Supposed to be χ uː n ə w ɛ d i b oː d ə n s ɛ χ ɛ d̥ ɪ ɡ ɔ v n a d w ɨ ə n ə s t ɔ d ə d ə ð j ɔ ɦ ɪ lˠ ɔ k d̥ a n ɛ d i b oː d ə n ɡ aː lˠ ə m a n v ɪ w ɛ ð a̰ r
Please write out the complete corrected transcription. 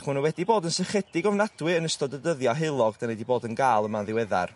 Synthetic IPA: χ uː n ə w ɛ d i b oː d ə n s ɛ χ ɛ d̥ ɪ ɡ ɔ v n a d w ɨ ə n ə s t ɔ d ə d ə ð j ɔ ɦ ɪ lˠ ɔ ɡ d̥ a n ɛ d i b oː d ə n ɡ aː lˠ ə m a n ð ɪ w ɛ ð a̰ r